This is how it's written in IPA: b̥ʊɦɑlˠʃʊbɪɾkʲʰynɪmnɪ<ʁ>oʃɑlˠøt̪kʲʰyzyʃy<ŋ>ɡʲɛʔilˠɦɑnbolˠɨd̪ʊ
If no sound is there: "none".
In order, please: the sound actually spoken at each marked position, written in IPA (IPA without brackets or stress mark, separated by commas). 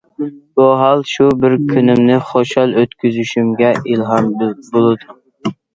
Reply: χ, m